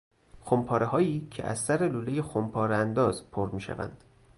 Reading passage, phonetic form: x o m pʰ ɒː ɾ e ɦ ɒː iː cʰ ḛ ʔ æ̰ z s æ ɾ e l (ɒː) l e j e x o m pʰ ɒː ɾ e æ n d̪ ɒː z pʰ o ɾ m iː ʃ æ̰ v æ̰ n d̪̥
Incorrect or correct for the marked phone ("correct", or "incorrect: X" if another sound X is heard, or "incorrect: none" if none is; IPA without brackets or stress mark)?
incorrect: uː